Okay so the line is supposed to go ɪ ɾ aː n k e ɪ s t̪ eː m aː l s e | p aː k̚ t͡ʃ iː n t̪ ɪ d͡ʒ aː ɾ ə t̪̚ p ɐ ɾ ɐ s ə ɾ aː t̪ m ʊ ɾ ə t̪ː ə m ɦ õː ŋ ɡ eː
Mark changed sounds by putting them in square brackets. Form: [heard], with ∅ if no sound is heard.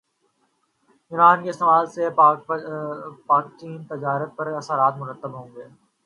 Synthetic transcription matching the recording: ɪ ɾ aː n k e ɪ s t̪ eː m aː l s e | p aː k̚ t͡ʃ iː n t̪ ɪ d͡ʒ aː ɾ ə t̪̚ p ɐ ɾ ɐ s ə ɾ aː t̪ m ʊ ɾ ə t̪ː ə [b] ɦ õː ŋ ɡ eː